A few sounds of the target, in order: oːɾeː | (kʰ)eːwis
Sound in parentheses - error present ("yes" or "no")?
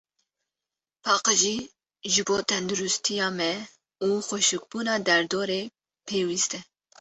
yes